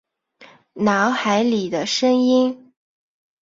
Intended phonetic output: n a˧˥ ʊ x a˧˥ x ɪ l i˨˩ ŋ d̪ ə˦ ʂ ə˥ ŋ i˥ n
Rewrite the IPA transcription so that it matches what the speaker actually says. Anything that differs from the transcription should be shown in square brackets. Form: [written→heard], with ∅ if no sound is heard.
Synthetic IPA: n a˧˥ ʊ x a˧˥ [x→∅] ɪ l i˨˩ [ŋ→∅] d̪ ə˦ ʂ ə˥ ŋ i˥ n